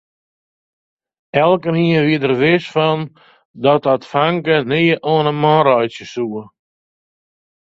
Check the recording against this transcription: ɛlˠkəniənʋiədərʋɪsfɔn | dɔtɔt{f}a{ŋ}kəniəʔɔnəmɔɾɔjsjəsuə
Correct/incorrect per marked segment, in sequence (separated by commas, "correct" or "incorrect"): correct, correct